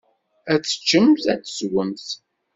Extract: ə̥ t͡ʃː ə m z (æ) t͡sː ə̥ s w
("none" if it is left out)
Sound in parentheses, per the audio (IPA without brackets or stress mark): æ